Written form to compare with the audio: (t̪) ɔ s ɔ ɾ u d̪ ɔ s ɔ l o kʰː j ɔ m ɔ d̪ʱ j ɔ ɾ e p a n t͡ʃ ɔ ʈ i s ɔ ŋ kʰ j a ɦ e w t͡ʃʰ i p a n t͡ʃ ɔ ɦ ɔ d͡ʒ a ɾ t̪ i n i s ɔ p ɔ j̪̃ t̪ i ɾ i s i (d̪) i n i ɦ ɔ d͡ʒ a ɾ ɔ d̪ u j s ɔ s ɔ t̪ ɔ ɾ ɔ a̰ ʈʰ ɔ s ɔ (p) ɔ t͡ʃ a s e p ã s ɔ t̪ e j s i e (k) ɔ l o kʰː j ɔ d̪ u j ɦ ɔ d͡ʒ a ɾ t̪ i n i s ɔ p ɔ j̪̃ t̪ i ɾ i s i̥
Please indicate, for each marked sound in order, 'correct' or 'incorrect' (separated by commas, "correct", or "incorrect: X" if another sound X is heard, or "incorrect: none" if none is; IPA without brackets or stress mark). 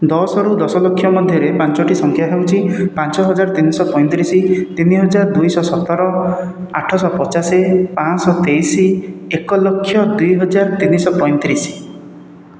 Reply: incorrect: d̪, incorrect: t̪, correct, correct